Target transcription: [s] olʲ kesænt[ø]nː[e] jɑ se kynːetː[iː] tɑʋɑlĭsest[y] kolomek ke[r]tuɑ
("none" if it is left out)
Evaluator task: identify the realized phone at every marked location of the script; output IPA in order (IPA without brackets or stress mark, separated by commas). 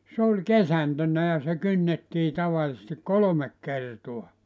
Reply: s, ø, æ, iː, i, r